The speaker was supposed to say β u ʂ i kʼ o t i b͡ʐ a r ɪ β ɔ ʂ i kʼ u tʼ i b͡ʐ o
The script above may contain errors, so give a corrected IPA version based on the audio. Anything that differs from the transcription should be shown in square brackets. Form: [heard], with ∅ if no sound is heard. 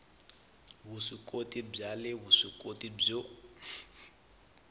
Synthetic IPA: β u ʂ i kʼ o t i b͡ʐ a [l] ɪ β [u] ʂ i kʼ [o] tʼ i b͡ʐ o